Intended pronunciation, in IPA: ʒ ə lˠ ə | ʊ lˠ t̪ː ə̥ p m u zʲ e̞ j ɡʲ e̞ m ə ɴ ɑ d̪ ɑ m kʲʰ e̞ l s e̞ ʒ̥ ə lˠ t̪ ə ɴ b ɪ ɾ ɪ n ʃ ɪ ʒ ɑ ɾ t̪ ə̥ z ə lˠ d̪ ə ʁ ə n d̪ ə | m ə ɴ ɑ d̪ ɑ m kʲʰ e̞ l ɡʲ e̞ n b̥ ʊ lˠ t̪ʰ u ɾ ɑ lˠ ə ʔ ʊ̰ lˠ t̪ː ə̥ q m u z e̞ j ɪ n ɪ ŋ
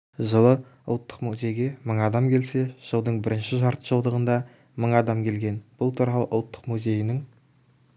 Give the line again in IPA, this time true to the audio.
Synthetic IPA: ʒ ə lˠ ə | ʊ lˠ t̪ː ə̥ q m u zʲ e̞ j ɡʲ e̞ m ə ɴ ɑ d̪ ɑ m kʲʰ e̞ l s e̞ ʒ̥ ə lˠ d̪ ə ɴ b ɪ ɾ ɪ n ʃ ɪ ʒ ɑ ɾ t̪ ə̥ ʒ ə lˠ d̪ ə ʁ ə n d̪ ɑ | m ə ɴ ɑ d̪ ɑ m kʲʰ e̞ l ɡʲ e̞ n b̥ ʊ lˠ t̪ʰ u ɾ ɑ lˠ ə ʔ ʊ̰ lˠ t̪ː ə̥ q m u z e̞ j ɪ n ɪ ŋ

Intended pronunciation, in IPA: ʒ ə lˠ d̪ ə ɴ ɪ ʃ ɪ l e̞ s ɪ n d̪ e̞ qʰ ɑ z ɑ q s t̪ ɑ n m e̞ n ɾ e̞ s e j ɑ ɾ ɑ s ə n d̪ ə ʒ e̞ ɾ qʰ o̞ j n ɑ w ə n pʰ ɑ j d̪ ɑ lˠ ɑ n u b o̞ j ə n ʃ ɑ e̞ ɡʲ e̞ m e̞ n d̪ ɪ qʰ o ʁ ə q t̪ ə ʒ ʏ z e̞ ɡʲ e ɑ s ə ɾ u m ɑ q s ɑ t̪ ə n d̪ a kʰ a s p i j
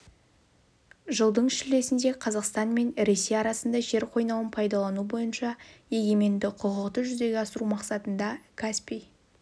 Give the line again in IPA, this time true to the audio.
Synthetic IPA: ʒ ə lˠ d̪ ə ɴ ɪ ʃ ɪ l e̞ s ɪ n d̪ e̞ qʰ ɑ z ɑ q s t̪ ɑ n m e̞ n ɾ e̞ s e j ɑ ɾ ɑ s ə n d̪ ɑ ʒ e̞ ɾ qʰ o̞ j n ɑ w ə n pʰ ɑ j d̪ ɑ lˠ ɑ n u b o̞ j ə n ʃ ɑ e̞ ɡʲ e̞ m e̞ n d̪ ɪ qʰ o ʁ ə q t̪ ə ʒ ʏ z e̞ ɡʲ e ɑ s ə ɾ u m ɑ q s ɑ t̪ ə n d̪ ɑ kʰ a s p i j

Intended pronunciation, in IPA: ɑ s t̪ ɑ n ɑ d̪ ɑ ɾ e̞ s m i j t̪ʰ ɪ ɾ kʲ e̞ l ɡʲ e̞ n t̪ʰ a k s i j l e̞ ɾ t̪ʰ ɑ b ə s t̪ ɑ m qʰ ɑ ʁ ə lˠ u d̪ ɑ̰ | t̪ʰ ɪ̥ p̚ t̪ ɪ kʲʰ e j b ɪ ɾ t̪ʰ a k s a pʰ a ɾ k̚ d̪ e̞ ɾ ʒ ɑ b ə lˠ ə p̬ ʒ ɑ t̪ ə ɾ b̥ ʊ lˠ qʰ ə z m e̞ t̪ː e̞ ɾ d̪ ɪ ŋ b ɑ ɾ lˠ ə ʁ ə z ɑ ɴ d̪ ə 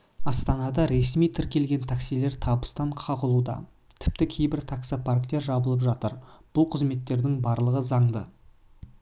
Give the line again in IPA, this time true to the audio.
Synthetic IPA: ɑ s t̪ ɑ n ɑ d̪ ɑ ɾ e̞ s m i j t̪ʰ ɪ ɾ kʲ e̞ l ɡʲ e̞ n t̪ʰ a k s i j l e̞ ɾ t̪ʰ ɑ b ə s t̪ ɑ ɴ qʰ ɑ ʁ ə lˠ u d̪ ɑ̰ | t̪ʰ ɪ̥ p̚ t̪ ɪ kʲʰ e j b ɪ ɾ t̪ʰ a k s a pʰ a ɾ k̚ t̪ e̞ ɾ ʒ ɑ b ə lˠ ə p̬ ʒ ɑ t̪ ə ɾ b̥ ʊ lˠ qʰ ə z m e̞ t̪ː e̞ ɾ d̪ ɪ ŋ b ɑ ɾ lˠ ə ʁ ə z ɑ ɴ d̪ ə

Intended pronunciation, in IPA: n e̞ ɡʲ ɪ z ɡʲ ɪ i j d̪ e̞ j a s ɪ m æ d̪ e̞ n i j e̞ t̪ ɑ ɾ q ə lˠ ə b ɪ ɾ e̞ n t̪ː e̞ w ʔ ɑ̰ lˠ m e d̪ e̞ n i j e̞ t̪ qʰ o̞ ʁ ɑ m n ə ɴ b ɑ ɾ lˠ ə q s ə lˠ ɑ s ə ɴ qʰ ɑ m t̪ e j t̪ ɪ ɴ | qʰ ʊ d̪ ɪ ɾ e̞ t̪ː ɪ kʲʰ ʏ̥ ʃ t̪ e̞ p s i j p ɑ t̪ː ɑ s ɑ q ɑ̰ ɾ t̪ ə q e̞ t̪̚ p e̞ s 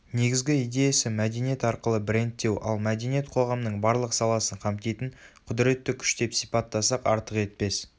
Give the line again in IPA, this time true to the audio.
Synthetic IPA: n e̞ ɡʲ ɪ z ɡʲ ɪ i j d̪ e̞ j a s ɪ m æ d̪ e̞ n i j e̞ t̪ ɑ ɾ q ə lˠ ə b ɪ ɾ e̞ n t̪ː e̞ w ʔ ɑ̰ lˠ m æ d̪ e̞ n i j e̞ t̪ qʰ o̞ ʁ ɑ m n ə ɴ b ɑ ɾ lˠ ə q s ɑ lˠ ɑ s ə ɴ qʰ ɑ m t̪ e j t̪ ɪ ɴ | qʰ ʊ d̪ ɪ ɾ e̞ t̪ː ɪ kʲʰ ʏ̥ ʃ t̪ e̞ p s i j p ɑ t̪ː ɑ s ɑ q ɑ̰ ɾ t̪ ə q e̞ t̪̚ p e̞ s

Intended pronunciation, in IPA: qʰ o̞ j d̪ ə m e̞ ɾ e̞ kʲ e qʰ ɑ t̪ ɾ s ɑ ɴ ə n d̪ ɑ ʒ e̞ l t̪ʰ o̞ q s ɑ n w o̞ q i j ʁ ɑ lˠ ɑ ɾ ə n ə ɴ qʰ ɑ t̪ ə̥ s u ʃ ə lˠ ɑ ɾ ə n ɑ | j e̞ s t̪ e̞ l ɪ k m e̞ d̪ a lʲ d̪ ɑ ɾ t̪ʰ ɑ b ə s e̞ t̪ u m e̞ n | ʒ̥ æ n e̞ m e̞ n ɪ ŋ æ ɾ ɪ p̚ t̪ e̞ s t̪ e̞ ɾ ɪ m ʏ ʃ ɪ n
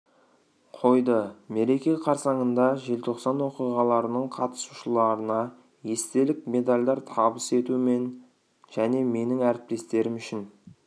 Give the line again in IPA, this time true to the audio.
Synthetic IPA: qʰ o̞ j d̪ ə m e̞ ɾ e̞ kʲ e qʰ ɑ ɾ s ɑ ɴ ə n d̪ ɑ ʒ e̞ l t̪ʰ o̞ q s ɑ n w o̞ q i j ʁ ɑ lˠ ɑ ɾ ə n ə ɴ qʰ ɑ t̪ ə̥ s u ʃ ə lˠ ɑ ɾ ə n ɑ | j e̞ s t̪ e̞ l ɪ k m e̞ d̪ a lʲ d̪ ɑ ɾ t̪ʰ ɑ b ə s e̞ t̪ u m e̞ n | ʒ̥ æ n e̞ m e̞ n ɪ ŋ æ ɾ ɪ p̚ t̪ e̞ s t̪ e̞ ɾ ɪ m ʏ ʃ ɪ n

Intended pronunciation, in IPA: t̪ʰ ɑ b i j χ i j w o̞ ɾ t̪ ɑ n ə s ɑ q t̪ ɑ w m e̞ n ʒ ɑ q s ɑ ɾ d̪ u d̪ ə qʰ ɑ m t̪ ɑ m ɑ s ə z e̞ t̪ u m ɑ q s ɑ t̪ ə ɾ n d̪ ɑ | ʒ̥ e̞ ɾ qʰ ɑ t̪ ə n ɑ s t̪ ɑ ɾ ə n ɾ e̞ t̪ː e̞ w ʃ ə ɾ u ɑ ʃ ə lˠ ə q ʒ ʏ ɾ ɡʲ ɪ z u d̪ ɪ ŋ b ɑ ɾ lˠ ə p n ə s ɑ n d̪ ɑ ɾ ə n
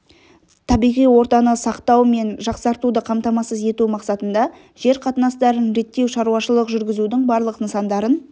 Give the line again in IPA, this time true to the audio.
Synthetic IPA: t̪ʰ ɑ b i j ʁ i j w o̞ ɾ t̪ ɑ n ə s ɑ q t̪ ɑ w m e̞ n ʒ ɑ q s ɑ ɾ t̪ u d̪ ə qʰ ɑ m t̪ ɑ m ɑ s ə z e̞ t̪ u m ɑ q s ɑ t̪ ə n d̪ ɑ | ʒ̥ e̞ ɾ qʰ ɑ t̪ ə n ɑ s t̪ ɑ ɾ ə n ɾ e̞ t̪ː e̞ w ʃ ɑ ɾ u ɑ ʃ ə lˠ ə q ʒ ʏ ɾ ɡʲ ɪ z u d̪ ɪ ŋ b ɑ ɾ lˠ ə q n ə s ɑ n d̪ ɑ ɾ ə n

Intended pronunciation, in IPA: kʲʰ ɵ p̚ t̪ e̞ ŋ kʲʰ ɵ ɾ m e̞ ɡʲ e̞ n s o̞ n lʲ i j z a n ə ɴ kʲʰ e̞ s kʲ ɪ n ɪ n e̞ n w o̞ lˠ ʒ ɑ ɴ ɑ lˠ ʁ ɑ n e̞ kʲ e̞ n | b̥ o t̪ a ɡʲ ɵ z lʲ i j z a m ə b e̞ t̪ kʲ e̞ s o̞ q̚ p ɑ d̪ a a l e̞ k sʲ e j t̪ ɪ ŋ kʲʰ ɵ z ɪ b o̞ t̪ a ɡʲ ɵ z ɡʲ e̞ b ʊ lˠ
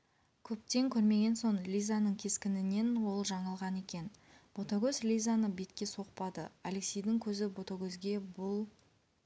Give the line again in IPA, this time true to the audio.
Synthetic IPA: kʲʰ ɵ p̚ t̪ e̞ ŋ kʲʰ ɵ ɾ m e̞ ɡʲ e̞ n s o̞ ɴ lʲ i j z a n ə ɴ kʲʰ e̞ s kʲ ɪ n ɪ n e̞ n w o̞ lˠ ʒ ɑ ɴ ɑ lˠ ʁ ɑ n e̞ kʲ e̞ n | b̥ o t̪ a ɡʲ ɵ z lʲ i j z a n ə b e̞ t̪ kʲ e̞ s o̞ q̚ p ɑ d̪ ə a l e̞ k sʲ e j d̪ ɪ ŋ kʲʰ ɵ z ɪ b o̞ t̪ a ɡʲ ɵ z ɡʲ e̞ b ʊ lˠ

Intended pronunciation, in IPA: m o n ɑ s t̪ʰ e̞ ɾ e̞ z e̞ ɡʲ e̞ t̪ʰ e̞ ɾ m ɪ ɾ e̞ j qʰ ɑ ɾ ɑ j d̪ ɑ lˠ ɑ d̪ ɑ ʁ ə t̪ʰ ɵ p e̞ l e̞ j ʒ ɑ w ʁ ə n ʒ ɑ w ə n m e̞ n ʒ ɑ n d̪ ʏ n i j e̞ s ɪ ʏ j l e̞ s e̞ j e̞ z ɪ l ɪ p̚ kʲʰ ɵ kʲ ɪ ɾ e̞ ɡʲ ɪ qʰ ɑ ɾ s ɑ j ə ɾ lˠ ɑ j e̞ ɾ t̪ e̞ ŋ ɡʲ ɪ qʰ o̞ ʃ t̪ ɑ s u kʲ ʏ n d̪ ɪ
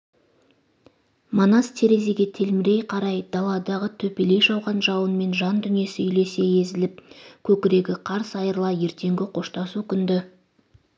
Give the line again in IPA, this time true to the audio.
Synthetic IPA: m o n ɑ s t̪ʰ e̞ ɾ e̞ z e̞ ɡʲ e̞ t̪ʰ e̞ l m ɪ ɾ e̞ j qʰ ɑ ɾ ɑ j d̪ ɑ lˠ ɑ d̪ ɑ ʁ ə t̪ʰ ɵ p e̞ l e̞ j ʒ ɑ w ʁ ɑ n ʒ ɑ w ə n m e̞ n ʒ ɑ n d̪ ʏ n i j e̞ s ɪ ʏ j l e̞ s e̞ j e̞ z ɪ l ɪ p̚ kʲʰ ɵ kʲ ɪ ɾ e̞ ɡʲ ɪ qʰ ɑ ɾ s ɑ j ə ɾ lˠ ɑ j e̞ ɾ t̪ e̞ ŋ ɡʲ ɪ qʰ o̞ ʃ t̪ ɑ s u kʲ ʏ n d̪ ɪ

